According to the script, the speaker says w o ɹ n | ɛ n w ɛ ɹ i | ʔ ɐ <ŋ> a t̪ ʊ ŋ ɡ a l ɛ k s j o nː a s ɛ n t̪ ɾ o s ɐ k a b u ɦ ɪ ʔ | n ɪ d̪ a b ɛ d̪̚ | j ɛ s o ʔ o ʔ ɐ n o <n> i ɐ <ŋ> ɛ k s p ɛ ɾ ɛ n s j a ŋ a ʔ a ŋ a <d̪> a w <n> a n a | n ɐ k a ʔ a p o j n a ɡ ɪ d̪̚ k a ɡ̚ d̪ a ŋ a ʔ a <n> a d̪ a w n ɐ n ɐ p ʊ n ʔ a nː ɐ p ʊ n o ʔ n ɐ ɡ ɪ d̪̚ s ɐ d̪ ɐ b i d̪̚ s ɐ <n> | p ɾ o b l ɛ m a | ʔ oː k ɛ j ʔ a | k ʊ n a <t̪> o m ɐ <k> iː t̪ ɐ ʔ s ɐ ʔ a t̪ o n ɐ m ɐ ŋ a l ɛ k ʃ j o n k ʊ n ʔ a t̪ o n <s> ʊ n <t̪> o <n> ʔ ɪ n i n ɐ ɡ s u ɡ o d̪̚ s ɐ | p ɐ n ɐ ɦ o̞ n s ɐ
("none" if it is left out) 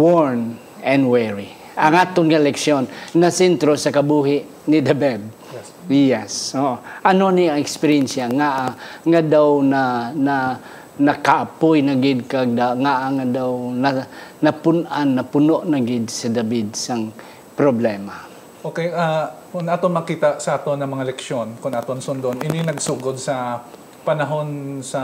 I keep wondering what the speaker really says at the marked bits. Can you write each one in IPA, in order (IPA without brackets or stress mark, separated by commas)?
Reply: ŋ, n, ŋ, d̪, n, ŋ, ŋ, t̪, k, s, d̪, n